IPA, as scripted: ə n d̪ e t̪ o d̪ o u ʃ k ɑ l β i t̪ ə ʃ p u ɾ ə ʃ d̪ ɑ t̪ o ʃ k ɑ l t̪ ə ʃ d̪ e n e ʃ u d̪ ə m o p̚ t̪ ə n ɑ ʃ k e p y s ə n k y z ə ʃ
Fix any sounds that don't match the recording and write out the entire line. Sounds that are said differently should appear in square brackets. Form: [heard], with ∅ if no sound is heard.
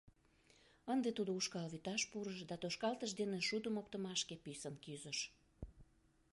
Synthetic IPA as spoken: ə n d̪ e t̪ [u] d̪ o u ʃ k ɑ l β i t̪ [ɑ] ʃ p u ɾ ə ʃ d̪ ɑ t̪ o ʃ k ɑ l t̪ ə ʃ d̪ e n e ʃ u d̪ ə m o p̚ t̪ ə [m] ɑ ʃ k e p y s ə n k y z ə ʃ